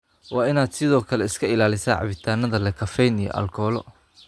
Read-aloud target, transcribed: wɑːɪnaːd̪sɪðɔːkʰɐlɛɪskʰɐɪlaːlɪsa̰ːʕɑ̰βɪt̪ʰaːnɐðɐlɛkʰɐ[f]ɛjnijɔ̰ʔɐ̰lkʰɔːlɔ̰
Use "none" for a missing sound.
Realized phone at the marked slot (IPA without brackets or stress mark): f